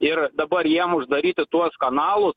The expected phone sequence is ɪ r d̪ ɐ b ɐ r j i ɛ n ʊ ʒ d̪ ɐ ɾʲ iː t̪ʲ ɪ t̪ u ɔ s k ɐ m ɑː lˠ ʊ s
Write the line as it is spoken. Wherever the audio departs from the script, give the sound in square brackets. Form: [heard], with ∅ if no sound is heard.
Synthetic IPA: ɪ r d̪ ɐ b ɐ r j i ɛ [m] ʊ ʒ d̪ ɐ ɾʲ iː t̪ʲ ɪ t̪ u ɔ s k ɐ [n] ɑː lˠ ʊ s